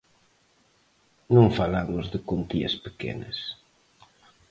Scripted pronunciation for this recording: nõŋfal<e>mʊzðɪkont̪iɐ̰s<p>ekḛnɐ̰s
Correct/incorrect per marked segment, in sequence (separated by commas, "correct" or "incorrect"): incorrect, correct